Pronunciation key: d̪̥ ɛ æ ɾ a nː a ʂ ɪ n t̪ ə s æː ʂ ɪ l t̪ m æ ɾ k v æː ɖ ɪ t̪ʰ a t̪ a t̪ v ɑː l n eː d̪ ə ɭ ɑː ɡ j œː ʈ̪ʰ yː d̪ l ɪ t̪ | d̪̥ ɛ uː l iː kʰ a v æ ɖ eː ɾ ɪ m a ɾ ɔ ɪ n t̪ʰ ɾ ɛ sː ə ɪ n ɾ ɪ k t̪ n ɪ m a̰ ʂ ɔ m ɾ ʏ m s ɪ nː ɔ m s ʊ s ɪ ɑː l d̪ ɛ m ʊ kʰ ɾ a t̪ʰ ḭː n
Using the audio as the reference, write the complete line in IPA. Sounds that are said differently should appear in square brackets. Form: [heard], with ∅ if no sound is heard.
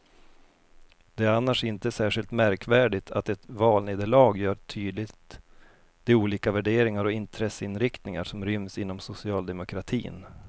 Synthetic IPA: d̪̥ ɛ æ ɾ a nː a ʂ ɪ n t̪ ə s æː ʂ ɪ l t̪ m æ ɾ k v æː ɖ ɪ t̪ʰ a t̪ [ɛ] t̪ v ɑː l n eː d̪ ə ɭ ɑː ɡ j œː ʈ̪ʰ yː d̪ l ɪ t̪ | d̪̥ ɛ uː l iː [k] a v æ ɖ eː ɾ ɪ [ŋ] a ɾ ɔ ɪ n t̪ʰ ɾ ɛ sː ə ɪ n ɾ ɪ k t̪ n ɪ [ŋ] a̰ ʂ ɔ m ɾ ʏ m s ɪ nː ɔ m s ʊ s ɪ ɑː l d̪ ɛ m ʊ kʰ ɾ a t̪ʰ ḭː n

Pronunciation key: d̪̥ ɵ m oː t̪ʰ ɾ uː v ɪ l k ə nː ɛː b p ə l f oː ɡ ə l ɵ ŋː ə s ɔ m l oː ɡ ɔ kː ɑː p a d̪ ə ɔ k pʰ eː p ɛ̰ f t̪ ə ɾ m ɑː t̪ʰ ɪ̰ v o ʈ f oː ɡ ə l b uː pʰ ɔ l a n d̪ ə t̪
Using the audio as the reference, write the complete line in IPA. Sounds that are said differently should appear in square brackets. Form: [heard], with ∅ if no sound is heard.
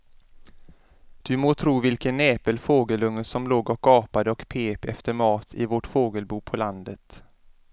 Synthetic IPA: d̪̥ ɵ m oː t̪ʰ ɾ uː v ɪ l k ə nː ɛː [∅] p ə l f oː ɡ ə l ɵ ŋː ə s ɔ m l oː ɡ ɔ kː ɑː p a d̪ ə ɔ k pʰ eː p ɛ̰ f t̪ ə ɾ m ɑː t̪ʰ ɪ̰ v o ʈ f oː ɡ ə l b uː pʰ ɔ l a n d̪ ə t̪

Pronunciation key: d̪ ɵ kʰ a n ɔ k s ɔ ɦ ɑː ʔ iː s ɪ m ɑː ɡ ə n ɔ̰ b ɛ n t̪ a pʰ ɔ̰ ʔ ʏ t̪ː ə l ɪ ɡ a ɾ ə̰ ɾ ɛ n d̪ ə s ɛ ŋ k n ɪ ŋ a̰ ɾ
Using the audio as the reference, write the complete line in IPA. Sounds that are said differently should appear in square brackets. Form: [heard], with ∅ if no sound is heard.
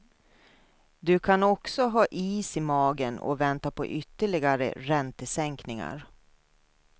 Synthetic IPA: d̪ ɵ kʰ a n ɔ k s ɔ ɦ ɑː ʔ iː s ɪ m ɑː ɡ ə n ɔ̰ [v] ɛ n t̪ a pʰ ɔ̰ ʔ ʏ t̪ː ə [ɭ] ɪ ɡ a ɾ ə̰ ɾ ɛ n [t̪] ə s ɛ ŋ k n ɪ ŋ a̰ ɾ

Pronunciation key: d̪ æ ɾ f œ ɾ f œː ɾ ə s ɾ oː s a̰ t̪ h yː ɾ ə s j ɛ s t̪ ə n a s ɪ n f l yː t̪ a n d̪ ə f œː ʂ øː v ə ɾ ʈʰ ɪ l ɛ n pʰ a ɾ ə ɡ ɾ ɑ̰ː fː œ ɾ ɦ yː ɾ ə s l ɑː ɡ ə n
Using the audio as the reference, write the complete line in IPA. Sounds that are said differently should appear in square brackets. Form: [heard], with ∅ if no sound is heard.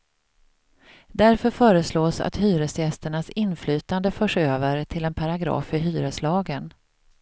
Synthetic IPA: d̪ æ ɾ f œ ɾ f œː ɾ ə s [l] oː s a̰ t̪ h yː ɾ ə s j ɛ s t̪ ə [ɳ] a s ɪ n f l yː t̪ a n d̪ ə f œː ʂ øː v ə ɾ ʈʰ ɪ l ɛ n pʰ a ɾ [a] ɡ ɾ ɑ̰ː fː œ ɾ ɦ yː ɾ ə s l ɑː ɡ ə n

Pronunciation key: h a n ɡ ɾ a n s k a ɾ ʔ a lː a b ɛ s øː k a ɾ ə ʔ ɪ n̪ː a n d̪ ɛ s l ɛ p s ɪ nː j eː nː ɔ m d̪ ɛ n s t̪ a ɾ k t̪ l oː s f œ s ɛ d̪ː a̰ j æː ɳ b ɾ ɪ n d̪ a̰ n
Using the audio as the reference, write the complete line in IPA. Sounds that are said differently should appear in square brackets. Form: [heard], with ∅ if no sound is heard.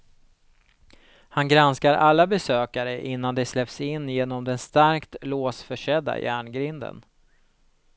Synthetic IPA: h a n ɡ ɾ a n s k a ɾ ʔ a lː a b ɛ s øː k a ɾ ə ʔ ɪ n̪ː a n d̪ ɛ s l ɛ p s ɪ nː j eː [n] ɔ m d̪ ɛ n s t̪ a ɾ k t̪ l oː s f œ [ʂ] ɛ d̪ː a̰ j æː ɳ [ɡ] ɾ ɪ n d̪ [ə̰] n

